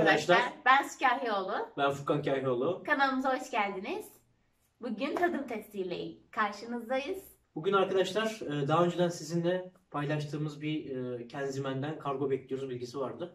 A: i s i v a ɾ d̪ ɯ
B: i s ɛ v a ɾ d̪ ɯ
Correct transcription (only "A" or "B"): A